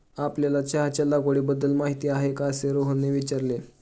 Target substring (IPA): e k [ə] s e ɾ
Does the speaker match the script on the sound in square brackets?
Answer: no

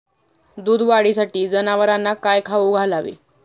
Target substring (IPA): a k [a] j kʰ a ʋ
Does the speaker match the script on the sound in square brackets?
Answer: yes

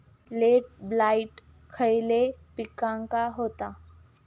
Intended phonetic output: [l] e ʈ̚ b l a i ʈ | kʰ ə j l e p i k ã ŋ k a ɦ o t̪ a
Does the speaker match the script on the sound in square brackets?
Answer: yes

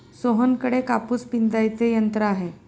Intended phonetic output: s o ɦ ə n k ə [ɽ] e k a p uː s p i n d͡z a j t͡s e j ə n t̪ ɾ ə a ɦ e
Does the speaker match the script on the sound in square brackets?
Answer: yes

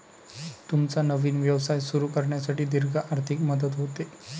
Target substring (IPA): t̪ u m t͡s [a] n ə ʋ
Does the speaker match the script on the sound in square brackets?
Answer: yes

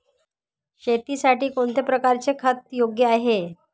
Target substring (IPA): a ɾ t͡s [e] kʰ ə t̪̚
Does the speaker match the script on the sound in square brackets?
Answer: yes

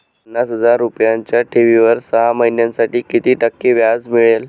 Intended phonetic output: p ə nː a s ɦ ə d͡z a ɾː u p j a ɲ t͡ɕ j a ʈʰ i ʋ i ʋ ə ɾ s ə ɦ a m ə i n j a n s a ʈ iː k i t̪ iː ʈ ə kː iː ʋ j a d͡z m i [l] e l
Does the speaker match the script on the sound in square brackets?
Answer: no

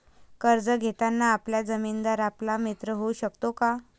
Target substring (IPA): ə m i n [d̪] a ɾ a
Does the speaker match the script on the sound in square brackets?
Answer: yes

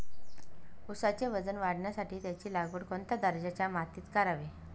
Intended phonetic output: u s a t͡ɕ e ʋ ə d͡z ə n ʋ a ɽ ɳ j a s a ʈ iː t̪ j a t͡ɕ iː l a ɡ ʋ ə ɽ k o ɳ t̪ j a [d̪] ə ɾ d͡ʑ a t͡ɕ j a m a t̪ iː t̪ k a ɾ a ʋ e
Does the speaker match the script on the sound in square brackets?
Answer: yes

